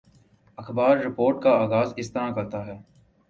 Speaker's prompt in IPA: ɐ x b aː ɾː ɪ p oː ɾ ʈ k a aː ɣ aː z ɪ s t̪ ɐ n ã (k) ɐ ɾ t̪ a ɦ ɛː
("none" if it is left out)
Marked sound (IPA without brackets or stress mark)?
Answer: k